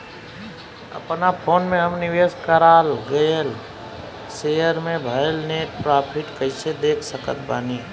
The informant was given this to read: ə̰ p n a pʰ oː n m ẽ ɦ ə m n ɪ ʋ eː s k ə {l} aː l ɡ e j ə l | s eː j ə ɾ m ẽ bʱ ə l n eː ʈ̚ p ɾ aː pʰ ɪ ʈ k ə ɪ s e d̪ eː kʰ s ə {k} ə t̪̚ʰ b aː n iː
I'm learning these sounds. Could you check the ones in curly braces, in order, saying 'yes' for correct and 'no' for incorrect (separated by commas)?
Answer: no, yes